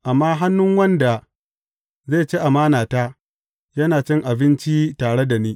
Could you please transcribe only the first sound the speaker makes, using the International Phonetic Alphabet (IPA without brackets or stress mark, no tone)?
ʔ